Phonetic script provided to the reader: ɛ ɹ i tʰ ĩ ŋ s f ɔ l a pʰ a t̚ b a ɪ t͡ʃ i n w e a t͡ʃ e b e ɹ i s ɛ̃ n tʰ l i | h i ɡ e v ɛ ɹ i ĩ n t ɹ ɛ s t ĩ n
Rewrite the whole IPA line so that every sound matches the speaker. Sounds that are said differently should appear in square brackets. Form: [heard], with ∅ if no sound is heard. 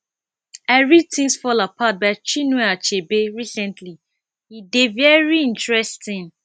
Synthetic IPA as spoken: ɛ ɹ i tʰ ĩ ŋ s f ɔ l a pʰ a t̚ b a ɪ t͡ʃ i n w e a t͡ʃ e b e ɹ i s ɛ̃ n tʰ l i | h i [d] e v ɛ ɹ i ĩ n t ɹ ɛ s t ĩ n

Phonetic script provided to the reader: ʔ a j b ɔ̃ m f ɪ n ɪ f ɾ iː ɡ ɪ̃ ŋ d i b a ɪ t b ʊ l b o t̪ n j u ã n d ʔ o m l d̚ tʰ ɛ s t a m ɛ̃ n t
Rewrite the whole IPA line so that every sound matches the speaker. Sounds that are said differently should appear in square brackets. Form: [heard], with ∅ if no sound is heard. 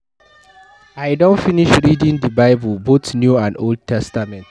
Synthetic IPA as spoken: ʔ a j [d] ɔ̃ [n] f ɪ n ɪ [ʃ] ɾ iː [d] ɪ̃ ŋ d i b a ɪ [∅] b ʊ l b o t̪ n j u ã n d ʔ o [∅] l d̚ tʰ ɛ s t a m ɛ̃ n t

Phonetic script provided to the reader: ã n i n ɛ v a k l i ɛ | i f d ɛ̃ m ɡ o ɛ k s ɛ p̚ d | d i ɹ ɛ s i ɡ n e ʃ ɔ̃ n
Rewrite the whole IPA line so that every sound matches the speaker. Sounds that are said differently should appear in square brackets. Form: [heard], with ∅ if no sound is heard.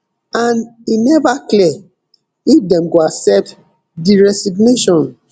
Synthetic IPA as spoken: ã n i n ɛ v a k l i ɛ | i f d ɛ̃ m ɡ o [a] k s ɛ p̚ [t] | d i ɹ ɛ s i ɡ n e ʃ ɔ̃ n

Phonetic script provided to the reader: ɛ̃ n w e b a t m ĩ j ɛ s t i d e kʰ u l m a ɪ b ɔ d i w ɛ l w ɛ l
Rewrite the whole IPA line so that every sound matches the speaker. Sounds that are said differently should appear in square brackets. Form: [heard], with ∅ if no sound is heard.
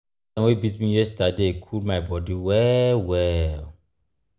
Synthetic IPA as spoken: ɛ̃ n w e b [i] t m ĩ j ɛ s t [a] d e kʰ u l m a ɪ b ɔ d i w ɛ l w ɛ l

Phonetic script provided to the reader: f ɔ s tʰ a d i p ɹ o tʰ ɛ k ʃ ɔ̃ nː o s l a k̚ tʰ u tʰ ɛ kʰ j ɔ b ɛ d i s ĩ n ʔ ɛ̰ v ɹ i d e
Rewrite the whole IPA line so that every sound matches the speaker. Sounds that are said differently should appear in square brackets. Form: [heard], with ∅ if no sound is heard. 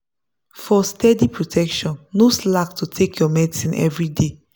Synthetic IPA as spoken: f ɔ s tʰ [ɛ] d i p ɹ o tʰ ɛ k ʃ ɔ̃ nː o s l a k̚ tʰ u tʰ [e] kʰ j ɔ [m] ɛ d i s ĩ n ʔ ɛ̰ v ɹ i d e

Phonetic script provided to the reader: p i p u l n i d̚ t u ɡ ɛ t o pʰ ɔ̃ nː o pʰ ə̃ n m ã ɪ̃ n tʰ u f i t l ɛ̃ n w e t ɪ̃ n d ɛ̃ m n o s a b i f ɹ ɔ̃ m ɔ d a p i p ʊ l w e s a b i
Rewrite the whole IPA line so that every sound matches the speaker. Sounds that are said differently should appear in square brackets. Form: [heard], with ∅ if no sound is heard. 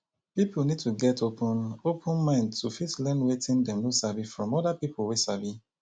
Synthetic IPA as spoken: p i p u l n i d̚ t u ɡ ɛ t o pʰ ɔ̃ [n] o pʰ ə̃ n m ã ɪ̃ n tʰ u f i t l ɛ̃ n w e t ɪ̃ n d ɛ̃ m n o s a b i f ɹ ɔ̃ m ɔ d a p i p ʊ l w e s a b i

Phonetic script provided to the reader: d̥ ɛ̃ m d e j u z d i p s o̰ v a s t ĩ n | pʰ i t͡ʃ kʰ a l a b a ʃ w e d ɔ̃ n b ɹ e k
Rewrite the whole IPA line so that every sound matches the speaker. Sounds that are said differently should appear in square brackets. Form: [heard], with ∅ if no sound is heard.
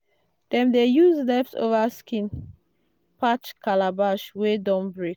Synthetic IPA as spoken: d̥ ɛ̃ m d e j u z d [ɛ] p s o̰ v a s [k] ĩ n | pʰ [a] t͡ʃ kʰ a l a b a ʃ w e d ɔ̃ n b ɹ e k

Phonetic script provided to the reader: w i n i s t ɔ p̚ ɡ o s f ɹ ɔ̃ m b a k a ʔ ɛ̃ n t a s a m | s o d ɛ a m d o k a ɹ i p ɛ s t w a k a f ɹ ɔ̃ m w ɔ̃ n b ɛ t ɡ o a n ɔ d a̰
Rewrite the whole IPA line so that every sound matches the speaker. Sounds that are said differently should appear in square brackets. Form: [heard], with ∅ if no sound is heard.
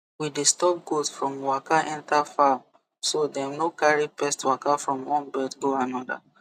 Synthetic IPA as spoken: w i [d] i s t ɔ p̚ ɡ o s f ɹ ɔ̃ m [w] a k a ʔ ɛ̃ n t a [f] a m | s o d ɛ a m [n] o k a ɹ i p ɛ s t w a k a f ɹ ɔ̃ m w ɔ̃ n b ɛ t ɡ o a n ɔ d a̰

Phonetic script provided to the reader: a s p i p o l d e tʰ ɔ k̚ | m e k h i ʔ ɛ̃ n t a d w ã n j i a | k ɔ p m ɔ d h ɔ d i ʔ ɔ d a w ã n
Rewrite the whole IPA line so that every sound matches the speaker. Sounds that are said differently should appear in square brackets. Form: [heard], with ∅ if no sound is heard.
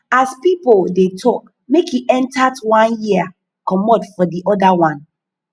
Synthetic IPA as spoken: a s p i p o l d e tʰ ɔ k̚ | m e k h i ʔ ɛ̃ n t a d w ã n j i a | k ɔ [∅] m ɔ d [f] ɔ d i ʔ ɔ d a w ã n

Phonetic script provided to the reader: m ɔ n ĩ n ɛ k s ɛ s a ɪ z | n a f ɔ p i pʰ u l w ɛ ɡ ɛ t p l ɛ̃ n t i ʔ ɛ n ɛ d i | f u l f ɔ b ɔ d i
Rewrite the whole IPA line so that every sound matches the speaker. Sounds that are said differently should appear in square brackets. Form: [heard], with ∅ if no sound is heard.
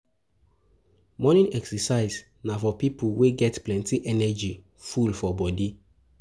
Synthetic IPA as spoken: m ɔ n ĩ n ɛ k s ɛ s a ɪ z | n a f ɔ p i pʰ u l w [e] ɡ ɛ t p l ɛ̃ n t i ʔ ɛ n ɛ [d͡ʒ] i | f u l f ɔ b ɔ d i

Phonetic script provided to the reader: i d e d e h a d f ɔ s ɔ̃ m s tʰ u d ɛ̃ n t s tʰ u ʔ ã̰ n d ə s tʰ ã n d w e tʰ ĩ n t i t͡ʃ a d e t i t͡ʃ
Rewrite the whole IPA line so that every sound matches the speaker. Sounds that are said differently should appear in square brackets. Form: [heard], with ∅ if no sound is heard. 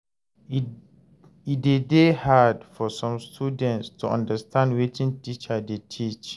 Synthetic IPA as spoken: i d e d e h a d f ɔ s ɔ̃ m s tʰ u d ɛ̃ n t s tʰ u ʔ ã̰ n d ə s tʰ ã n d w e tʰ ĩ n t i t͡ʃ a d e [tʰ] i t͡ʃ

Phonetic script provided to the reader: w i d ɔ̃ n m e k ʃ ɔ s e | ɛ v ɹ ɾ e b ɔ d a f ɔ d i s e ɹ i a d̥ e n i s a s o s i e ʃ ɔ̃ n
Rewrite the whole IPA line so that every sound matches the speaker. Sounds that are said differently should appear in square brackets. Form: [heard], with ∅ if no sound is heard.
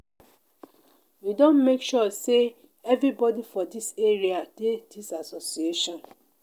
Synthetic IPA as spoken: w i d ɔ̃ n m e k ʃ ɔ s e | ɛ v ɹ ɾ [i] b ɔ d [i] f ɔ d i s e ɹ i a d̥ e [d] i s a s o s i e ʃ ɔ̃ n

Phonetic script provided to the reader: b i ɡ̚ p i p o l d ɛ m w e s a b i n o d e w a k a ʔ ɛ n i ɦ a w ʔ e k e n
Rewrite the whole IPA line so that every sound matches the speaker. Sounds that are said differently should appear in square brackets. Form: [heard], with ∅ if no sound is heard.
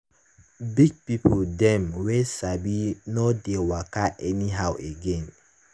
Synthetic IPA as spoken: b i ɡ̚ p i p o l d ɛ m w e s a b i n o d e w a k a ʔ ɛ n i ɦ a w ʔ e [ɡ] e n

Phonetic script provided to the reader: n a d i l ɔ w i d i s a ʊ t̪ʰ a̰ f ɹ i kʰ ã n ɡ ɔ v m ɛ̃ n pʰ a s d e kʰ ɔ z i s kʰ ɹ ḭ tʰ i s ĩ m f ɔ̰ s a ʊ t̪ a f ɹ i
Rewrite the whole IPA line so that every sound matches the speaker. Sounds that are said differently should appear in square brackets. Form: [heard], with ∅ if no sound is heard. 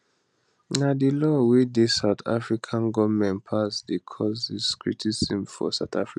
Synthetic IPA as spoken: n a d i l ɔ w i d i s a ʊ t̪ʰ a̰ f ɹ i kʰ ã n ɡ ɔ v m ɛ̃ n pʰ a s d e kʰ ɔ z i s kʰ ɹ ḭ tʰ i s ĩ m f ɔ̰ s a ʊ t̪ a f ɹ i

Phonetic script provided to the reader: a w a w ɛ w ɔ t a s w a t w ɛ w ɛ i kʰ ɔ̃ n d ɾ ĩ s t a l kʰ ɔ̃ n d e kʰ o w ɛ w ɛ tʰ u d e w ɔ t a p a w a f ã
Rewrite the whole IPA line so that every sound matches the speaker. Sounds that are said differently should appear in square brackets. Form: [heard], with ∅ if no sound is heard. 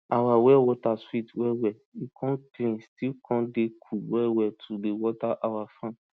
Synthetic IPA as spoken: a w a w ɛ w ɔ t a s w [i] t w ɛ w ɛ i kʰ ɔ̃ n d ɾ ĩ s t [i] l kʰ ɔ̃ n d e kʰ [u] w ɛ w ɛ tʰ u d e w ɔ t a [ʔ] a w a f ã

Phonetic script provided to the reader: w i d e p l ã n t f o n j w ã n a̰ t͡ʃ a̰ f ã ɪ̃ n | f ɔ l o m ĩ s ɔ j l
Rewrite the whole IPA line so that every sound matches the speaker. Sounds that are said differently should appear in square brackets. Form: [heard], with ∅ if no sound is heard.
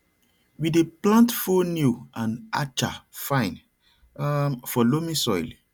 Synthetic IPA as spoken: w i d e p l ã n t f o n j [u] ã n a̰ t͡ʃ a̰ f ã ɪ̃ n | f ɔ l o m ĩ s ɔ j l

